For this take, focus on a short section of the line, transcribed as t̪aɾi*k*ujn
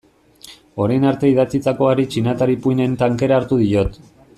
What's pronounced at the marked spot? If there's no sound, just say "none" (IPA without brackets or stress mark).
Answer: p